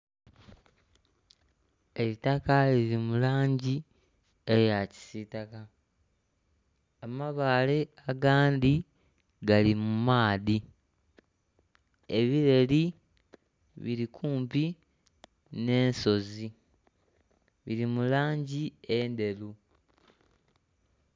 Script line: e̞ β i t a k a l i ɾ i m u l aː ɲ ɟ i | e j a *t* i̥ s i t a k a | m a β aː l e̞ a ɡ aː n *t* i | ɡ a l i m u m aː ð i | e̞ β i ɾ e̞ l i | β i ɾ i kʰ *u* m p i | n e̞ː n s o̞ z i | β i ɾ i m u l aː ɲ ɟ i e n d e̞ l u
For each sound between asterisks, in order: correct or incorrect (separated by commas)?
incorrect, incorrect, incorrect